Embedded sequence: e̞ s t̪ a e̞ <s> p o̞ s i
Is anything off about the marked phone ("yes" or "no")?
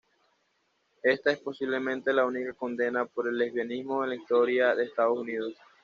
no